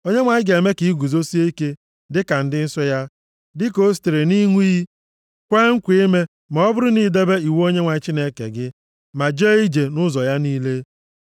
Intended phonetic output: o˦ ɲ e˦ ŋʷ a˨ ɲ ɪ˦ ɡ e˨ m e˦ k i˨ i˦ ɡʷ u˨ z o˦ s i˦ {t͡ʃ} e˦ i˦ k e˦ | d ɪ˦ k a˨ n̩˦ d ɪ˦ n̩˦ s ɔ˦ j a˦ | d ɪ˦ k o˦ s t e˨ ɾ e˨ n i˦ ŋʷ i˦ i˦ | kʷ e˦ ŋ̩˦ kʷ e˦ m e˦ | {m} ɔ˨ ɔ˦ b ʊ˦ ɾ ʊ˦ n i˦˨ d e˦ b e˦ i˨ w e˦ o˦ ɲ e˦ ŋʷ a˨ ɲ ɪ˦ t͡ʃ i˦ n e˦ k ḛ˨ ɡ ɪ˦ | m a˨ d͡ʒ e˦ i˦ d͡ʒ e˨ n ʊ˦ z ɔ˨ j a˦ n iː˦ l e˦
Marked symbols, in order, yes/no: no, yes

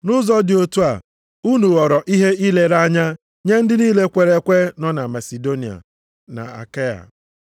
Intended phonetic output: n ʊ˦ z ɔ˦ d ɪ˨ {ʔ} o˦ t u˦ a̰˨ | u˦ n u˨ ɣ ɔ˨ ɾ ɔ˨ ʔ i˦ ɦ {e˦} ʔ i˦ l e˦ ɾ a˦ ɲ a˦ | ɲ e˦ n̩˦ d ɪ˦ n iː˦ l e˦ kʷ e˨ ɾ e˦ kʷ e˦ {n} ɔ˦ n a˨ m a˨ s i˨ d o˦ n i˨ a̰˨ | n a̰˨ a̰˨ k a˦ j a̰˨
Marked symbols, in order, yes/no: no, yes, yes

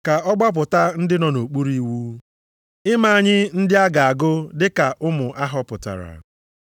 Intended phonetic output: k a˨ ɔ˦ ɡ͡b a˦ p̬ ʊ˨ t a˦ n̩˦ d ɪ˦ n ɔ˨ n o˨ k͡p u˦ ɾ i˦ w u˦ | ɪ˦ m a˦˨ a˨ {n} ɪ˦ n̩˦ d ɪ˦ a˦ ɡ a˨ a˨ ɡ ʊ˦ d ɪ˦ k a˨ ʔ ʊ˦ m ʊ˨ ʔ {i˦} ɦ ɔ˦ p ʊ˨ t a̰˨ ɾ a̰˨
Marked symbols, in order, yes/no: no, no

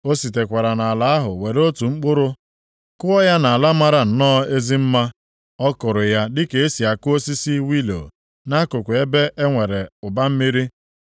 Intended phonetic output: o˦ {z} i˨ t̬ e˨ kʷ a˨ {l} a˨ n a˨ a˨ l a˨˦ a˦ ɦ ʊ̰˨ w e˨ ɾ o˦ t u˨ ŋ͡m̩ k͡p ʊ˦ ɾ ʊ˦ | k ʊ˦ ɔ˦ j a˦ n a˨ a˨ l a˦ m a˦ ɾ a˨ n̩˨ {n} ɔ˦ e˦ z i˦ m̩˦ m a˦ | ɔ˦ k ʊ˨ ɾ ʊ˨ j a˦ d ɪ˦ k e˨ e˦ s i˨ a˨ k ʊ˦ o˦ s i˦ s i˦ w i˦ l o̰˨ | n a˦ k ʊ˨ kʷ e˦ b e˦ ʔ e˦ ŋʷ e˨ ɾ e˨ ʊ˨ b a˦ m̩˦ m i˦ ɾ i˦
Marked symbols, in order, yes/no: no, no, yes

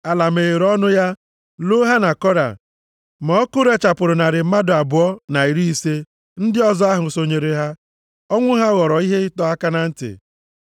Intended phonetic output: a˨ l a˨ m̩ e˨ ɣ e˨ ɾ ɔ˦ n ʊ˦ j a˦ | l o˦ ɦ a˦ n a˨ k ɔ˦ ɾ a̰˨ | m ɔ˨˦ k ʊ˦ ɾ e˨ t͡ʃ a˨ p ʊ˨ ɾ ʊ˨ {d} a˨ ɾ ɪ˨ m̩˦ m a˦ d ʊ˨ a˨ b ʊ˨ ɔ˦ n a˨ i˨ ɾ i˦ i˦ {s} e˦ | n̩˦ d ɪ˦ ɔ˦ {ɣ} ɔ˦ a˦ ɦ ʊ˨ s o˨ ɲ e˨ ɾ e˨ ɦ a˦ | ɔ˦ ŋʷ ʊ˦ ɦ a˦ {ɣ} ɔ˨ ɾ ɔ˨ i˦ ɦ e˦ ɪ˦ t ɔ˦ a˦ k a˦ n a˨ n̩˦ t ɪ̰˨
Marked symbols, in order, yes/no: no, yes, no, yes

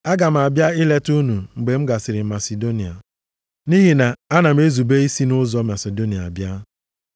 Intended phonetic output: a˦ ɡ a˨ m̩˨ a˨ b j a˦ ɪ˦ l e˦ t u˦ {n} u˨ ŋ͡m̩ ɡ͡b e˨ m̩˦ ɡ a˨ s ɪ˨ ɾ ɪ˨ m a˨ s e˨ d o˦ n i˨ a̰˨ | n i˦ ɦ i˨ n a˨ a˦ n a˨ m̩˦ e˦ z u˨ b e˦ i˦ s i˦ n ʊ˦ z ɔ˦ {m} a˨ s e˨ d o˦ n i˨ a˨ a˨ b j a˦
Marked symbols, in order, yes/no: yes, yes

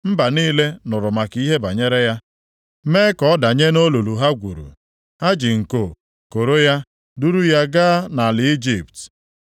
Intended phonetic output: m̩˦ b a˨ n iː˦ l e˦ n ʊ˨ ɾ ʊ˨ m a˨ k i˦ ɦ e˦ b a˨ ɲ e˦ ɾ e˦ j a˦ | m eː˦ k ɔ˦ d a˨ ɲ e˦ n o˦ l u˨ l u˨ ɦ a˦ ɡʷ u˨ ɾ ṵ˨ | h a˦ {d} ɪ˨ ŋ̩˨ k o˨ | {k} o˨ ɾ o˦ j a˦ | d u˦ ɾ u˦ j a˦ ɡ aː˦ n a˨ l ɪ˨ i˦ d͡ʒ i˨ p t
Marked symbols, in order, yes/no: no, yes

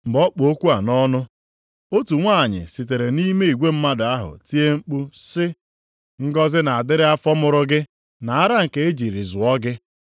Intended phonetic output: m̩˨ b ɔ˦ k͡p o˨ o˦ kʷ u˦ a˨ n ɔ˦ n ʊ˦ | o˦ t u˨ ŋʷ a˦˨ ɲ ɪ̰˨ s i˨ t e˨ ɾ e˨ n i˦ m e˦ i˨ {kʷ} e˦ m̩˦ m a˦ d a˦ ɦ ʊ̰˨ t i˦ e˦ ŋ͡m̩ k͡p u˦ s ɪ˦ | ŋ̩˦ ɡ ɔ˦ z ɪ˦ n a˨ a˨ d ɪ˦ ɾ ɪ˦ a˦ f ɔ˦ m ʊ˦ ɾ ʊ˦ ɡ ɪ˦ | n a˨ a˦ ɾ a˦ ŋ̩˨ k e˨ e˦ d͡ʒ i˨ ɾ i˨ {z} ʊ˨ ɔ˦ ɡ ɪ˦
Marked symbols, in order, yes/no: no, yes

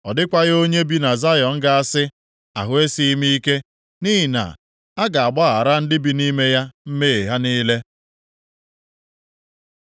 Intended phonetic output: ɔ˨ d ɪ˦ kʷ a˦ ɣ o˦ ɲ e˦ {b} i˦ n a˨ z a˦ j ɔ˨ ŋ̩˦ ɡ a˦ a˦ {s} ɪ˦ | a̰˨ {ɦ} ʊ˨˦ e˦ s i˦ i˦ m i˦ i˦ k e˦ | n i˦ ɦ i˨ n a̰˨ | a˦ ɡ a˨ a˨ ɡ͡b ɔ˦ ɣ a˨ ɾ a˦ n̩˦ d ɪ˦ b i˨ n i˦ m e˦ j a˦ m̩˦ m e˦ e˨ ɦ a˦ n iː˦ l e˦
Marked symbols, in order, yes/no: yes, yes, yes

